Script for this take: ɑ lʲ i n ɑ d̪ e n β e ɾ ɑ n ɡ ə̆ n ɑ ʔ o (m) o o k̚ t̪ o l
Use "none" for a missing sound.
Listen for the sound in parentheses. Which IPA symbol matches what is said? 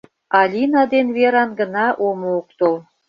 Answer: m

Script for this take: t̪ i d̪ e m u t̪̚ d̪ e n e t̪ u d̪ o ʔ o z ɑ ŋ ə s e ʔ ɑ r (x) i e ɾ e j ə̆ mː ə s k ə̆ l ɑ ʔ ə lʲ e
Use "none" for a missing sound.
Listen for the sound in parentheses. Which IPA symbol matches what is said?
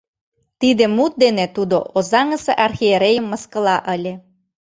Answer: x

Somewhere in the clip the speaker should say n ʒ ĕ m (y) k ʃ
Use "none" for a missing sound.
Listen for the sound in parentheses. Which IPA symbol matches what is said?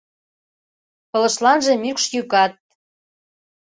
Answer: y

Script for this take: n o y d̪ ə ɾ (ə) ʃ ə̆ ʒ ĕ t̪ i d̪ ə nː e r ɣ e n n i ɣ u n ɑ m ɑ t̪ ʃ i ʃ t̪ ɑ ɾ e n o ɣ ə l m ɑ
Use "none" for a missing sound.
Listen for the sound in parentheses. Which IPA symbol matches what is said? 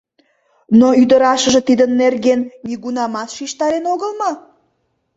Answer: ɑ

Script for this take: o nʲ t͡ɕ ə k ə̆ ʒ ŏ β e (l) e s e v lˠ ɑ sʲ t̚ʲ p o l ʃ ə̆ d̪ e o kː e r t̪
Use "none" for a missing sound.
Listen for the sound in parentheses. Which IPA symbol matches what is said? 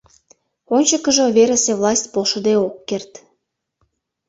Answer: ɾ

